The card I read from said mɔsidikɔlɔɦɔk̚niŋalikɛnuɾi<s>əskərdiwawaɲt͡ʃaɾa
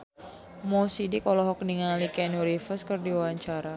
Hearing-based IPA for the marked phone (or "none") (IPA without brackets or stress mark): f